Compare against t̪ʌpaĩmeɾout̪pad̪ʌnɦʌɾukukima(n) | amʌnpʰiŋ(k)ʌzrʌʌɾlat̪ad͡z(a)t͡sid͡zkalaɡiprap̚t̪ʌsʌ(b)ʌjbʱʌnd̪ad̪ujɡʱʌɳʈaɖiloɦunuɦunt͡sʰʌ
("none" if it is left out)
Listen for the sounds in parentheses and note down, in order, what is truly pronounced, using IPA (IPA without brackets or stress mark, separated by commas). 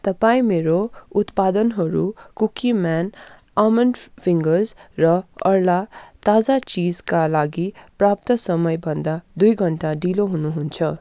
n, ɡ, a, m